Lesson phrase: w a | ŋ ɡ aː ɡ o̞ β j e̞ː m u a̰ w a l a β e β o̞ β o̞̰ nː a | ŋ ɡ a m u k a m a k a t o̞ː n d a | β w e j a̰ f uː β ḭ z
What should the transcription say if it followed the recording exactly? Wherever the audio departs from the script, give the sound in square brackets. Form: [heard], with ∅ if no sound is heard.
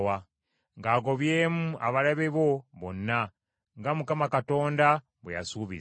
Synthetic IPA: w a | ŋ ɡ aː ɡ o̞ β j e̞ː m u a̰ [β] a l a β e β o̞ β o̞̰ nː a | ŋ ɡ a m u k a m a k a t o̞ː n d a | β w e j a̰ [s] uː β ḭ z